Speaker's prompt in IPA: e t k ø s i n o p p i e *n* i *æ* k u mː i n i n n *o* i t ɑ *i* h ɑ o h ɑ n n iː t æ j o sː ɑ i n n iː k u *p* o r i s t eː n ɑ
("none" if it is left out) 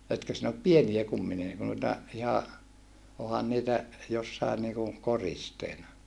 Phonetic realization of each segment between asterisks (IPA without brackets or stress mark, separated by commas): n, æ, u, i, k